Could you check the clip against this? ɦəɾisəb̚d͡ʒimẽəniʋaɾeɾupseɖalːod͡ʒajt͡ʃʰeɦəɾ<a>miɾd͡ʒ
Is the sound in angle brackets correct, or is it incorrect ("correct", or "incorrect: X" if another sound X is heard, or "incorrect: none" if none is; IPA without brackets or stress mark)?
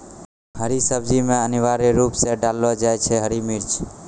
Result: incorrect: i